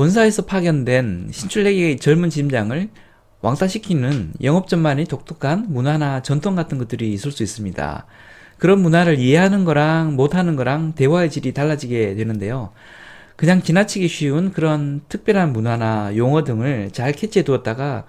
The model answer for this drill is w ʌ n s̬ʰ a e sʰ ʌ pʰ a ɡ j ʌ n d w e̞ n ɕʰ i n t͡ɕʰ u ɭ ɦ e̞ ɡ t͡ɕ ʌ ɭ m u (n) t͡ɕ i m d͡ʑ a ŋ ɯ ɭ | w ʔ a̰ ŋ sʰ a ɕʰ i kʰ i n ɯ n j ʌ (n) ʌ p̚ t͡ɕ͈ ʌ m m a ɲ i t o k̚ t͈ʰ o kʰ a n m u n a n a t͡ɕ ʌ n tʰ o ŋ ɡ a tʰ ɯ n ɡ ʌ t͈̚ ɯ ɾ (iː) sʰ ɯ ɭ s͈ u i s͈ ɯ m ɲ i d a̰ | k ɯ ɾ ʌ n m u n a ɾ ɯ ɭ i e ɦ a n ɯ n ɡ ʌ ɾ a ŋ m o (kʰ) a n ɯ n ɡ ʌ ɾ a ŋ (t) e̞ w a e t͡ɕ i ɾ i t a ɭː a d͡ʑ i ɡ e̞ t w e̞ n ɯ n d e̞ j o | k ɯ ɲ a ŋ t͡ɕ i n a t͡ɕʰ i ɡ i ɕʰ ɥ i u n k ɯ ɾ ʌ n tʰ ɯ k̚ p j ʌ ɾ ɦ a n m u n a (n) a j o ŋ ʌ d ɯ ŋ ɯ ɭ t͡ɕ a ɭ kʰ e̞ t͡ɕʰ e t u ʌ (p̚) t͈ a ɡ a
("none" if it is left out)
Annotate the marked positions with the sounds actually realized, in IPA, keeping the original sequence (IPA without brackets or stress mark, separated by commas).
n, ŋ, iː, tʰ, t, n, t̚